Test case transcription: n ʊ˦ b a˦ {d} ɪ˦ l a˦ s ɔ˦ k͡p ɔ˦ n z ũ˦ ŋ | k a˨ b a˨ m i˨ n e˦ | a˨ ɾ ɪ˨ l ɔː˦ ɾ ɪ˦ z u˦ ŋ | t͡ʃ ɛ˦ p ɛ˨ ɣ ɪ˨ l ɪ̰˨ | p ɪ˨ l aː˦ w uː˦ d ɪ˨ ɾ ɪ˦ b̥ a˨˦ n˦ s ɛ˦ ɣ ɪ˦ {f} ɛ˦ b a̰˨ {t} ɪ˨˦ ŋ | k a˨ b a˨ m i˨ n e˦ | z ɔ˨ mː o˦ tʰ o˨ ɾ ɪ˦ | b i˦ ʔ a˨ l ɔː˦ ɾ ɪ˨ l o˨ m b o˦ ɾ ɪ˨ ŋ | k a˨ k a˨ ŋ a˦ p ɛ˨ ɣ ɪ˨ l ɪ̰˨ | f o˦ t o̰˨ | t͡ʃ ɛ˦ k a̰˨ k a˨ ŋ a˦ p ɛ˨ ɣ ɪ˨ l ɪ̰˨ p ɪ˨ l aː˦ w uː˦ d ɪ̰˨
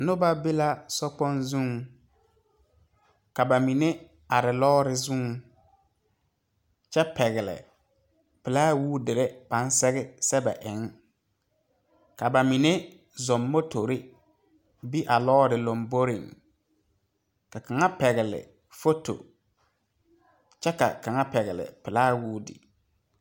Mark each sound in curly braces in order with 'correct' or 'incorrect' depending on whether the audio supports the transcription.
incorrect, incorrect, incorrect

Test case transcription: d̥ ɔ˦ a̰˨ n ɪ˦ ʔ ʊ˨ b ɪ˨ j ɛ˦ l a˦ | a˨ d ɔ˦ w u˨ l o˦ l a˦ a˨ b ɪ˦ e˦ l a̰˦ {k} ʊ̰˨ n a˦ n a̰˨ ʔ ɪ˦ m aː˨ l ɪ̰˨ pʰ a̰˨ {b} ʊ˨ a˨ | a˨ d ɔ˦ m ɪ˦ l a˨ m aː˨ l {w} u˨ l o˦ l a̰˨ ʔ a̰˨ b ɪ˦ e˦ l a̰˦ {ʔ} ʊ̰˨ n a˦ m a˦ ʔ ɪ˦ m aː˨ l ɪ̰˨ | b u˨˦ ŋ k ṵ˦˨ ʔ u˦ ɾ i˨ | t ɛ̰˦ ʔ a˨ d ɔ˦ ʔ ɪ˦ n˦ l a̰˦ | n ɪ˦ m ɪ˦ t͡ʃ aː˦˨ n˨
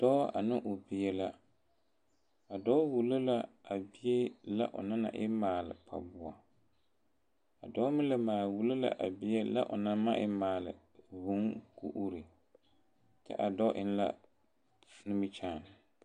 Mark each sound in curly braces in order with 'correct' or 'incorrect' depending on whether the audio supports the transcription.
incorrect, correct, correct, correct

